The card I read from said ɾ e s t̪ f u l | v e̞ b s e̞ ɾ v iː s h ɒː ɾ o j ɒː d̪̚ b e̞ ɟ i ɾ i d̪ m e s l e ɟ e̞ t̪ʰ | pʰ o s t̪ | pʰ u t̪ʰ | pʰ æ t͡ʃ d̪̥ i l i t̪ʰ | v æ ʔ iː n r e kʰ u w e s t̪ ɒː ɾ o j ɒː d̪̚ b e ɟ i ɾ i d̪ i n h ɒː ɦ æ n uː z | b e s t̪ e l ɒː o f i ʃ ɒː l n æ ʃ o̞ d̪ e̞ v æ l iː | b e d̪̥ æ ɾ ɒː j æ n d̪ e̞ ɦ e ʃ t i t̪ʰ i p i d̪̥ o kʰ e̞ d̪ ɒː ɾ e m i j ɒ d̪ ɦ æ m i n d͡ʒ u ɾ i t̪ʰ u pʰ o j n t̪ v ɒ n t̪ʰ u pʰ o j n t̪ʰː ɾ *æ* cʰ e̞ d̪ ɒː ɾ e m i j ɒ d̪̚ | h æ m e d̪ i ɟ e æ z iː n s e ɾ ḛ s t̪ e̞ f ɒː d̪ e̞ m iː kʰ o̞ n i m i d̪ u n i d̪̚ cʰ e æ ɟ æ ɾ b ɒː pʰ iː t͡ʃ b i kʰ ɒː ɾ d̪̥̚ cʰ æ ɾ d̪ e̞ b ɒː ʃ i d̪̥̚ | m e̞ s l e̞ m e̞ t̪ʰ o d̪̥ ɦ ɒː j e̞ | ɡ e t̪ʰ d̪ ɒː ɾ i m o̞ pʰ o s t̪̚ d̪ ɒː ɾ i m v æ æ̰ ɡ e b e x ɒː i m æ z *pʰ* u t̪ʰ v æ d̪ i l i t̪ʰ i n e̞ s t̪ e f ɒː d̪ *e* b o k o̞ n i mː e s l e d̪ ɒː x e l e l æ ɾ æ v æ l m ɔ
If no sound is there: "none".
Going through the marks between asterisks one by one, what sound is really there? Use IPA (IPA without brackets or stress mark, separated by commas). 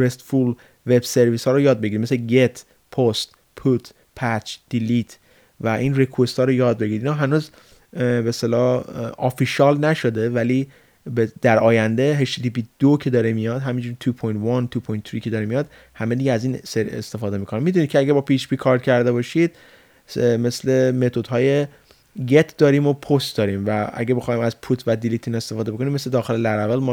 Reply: i, pʰ, e